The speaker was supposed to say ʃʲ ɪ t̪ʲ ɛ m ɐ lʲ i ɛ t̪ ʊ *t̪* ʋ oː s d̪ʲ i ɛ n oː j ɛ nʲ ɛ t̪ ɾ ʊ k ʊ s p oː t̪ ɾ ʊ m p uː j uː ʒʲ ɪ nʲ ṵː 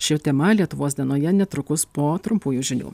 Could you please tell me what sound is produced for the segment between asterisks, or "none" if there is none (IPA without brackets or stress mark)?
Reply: none